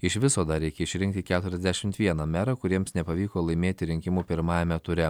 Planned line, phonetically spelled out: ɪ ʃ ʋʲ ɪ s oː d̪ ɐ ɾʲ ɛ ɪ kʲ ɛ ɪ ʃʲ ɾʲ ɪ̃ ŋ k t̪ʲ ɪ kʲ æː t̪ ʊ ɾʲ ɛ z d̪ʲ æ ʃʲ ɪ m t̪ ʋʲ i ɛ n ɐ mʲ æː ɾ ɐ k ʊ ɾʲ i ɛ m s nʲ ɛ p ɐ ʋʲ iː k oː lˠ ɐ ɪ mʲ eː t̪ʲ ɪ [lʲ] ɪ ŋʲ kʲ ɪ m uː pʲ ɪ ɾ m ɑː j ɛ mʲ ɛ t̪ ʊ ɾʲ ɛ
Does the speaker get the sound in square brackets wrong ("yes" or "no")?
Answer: yes